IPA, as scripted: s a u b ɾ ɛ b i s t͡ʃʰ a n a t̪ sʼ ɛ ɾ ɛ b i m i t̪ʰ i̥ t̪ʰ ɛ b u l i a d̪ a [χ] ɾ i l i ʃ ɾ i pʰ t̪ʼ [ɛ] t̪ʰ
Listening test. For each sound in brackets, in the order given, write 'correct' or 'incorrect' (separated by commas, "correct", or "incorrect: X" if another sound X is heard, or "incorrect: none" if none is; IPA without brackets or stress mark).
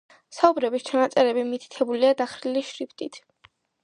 correct, incorrect: i